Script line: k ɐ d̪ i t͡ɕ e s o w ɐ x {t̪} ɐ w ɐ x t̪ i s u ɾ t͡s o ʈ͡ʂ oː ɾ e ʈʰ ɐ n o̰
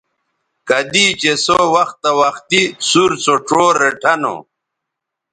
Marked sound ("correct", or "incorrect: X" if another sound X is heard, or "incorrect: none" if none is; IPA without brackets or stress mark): correct